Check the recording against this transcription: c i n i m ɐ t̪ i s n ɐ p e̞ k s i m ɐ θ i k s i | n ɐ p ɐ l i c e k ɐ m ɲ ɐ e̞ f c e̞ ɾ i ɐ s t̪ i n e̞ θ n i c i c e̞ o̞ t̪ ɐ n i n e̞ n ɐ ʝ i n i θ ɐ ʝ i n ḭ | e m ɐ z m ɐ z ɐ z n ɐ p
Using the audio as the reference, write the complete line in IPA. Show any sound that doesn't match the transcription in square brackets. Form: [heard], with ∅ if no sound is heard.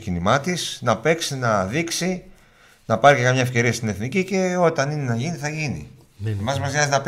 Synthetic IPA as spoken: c i n i m ɐ t̪ i s n ɐ p e̞ k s i [n] ɐ [ð] i k s i | n ɐ p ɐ [ɾ] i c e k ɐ m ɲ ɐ e̞ f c e̞ ɾ i ɐ s t̪ i n e̞ θ n i c i c e̞ o̞ t̪ ɐ n i n e̞ n ɐ ʝ i n i θ ɐ ʝ i n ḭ | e m ɐ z m ɐ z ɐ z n ɐ p